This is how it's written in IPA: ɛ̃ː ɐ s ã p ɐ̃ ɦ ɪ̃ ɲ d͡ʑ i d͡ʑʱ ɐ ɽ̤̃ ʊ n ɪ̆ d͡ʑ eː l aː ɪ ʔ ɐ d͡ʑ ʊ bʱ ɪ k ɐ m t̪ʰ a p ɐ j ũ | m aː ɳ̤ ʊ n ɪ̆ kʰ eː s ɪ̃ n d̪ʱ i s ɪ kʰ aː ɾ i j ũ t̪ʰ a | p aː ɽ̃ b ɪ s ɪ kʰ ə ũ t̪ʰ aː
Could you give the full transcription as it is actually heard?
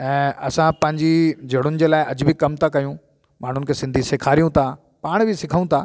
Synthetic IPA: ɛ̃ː ɐ s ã p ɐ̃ ɦ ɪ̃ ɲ d͡ʑ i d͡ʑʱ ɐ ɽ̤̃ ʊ n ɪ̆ d͡ʑ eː l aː ɪ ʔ ɐ d͡ʑ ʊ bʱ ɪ k ɐ m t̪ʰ a k ɐ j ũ | m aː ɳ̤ ʊ n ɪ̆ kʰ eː s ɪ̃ n d̪ʱ i s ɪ kʰ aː ɾ i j ũ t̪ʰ a | p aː ɽ̃ b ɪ s ɪ kʰ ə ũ t̪ʰ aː